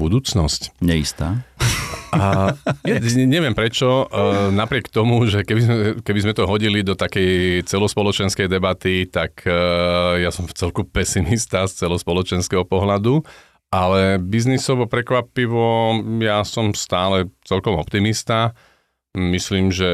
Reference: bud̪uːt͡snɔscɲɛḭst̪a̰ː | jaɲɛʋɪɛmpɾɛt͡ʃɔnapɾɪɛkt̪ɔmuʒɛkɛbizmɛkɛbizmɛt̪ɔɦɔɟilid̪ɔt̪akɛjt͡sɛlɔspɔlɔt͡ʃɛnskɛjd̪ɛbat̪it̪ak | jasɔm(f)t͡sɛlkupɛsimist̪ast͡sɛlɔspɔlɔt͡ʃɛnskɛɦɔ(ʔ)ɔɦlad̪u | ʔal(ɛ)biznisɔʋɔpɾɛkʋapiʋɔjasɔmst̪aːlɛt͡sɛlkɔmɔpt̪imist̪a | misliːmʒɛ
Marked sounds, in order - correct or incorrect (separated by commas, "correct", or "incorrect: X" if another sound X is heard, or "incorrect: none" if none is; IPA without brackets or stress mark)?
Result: correct, incorrect: p, correct